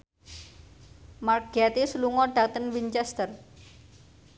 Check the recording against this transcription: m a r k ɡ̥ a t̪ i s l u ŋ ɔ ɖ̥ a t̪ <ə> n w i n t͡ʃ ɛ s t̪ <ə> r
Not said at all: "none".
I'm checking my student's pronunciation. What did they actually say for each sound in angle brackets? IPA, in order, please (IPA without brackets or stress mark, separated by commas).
ə, ə